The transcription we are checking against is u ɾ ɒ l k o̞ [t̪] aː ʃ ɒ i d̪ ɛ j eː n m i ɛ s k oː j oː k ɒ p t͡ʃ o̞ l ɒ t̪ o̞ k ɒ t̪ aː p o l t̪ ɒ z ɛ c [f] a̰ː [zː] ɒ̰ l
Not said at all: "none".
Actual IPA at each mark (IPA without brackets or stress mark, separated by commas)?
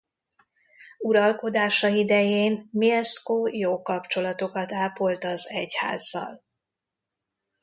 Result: d̪, h, zː